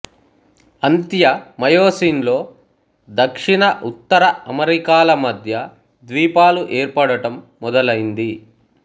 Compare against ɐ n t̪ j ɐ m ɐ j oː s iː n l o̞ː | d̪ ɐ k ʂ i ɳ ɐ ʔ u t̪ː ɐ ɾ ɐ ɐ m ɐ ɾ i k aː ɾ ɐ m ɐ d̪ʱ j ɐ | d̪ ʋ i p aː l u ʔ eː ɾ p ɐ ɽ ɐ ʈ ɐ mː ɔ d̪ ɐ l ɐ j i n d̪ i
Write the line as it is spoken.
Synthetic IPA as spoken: ɐ n t̪ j ɐ m ɐ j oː s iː n l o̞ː | d̪ ɐ k ʂ i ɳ ɐ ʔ u t̪ː ɐ ɾ ɐ ɐ m ɐ ɾ i k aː l ɐ m ɐ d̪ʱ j ɐ | d̪ ʋ iː p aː l u ʔ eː ɾ p ɐ ɽ ɐ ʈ ɐ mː ɔ d̪ ɐ l ɐ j i n d̪ i

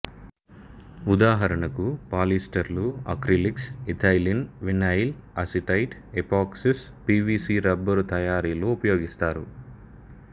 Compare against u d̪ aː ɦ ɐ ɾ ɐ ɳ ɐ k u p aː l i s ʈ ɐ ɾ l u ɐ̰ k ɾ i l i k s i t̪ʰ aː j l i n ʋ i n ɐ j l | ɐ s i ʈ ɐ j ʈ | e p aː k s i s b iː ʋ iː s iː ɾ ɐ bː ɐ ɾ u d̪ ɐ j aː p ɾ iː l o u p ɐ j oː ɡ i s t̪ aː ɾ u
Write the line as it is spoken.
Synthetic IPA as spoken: u d̪ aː ɦ ɐ ɾ ɐ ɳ ɐ k u p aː l i s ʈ ɐ ɾ l u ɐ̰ k ɾ i l i k s i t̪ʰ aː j l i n ʋ i n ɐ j l | ɐ s i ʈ ɐ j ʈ | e p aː k s i s p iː ʋ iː s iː ɾ ɐ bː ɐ ɾ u t̪ ɐ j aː ɾ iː l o u p ɐ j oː ɡ i s t̪ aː ɾ u

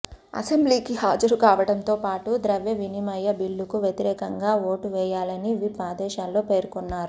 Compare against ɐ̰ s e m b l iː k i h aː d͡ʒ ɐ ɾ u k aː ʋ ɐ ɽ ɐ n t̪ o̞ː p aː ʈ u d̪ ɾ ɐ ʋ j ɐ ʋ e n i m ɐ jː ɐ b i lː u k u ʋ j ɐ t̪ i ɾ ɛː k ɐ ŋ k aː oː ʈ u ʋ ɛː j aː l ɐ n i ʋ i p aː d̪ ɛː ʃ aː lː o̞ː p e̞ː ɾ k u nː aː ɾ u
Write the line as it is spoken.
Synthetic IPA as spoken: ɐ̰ s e m b l iː k i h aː d͡ʒ ɐ ɾ u k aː ʋ ɐ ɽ ɐ n t̪ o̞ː p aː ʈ u d̪ ɾ ɐ ʋ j ɐ ʋ i n i m ɐ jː ɐ b i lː u k u ʋ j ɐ t̪ i ɾ ɛː k ɐ ŋ ɡ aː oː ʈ u ʋ ɛː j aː l ɐ n i ʋ i p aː d̪ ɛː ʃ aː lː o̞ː p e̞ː ɾ k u nː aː ɾ u

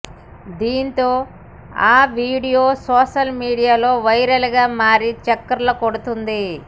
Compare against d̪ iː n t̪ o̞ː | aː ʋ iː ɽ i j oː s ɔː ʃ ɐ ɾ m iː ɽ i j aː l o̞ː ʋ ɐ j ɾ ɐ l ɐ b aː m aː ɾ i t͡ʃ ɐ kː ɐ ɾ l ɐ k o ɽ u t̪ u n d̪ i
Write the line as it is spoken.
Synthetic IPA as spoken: d̪ iː n t̪ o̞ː | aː ʋ iː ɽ i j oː s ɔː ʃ ɐ l m iː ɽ i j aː l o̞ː ʋ ɐ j ɾ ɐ l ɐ ɡ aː m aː ɾ i t͡ʃ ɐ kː ɐ ɾ l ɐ k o ɽ u t̪ u n d̪ i

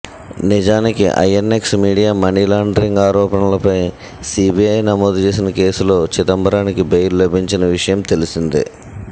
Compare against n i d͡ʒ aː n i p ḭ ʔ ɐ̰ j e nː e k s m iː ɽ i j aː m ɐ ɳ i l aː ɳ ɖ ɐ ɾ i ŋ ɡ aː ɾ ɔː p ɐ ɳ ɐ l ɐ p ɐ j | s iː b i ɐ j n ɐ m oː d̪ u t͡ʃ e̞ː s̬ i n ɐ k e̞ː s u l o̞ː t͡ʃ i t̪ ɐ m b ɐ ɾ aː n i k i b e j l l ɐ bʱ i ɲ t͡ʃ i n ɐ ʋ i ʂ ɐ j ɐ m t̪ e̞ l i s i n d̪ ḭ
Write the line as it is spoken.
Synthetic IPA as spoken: n i d͡ʒ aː n i k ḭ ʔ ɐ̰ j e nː e k s m iː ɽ i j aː m ɐ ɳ i l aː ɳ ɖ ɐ ɾ i ŋ ɡ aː ɾ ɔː p ɐ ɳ ɐ l ɐ p ɐ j | s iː b i ɐ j n ɐ m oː d̪ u t͡ʃ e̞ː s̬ i n ɐ k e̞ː s u l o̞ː t͡ʃ i t̪ ɐ m b ɐ ɾ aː n i k i b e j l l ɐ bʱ i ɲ t͡ʃ i n ɐ ʋ i ʂ ɐ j ɐ m t̪ e̞ l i s i n d̪ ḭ

